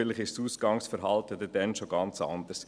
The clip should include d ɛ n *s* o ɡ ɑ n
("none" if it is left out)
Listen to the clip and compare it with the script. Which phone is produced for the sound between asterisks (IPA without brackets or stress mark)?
ʃ